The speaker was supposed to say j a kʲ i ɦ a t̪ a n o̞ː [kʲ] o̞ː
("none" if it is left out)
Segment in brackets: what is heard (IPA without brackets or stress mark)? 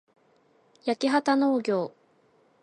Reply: ɡʲ